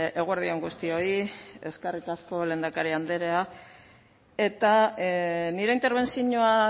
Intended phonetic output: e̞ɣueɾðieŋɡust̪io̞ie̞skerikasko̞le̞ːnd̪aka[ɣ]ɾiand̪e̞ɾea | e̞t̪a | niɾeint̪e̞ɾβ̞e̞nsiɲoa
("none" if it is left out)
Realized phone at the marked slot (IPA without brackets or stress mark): none